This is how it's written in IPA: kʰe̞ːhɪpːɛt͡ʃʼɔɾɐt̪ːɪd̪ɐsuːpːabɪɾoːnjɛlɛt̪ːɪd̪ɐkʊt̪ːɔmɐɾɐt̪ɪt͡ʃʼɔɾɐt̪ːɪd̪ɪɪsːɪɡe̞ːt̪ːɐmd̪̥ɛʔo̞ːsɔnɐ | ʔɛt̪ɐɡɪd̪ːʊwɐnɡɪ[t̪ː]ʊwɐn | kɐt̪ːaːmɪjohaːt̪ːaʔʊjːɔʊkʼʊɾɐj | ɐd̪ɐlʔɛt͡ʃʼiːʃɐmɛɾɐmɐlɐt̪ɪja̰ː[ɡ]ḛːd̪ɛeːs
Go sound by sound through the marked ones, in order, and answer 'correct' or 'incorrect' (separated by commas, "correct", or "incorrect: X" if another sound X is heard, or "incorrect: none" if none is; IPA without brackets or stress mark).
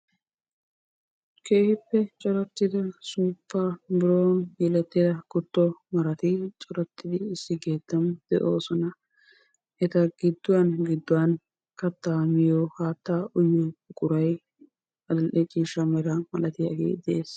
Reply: incorrect: d̪ː, correct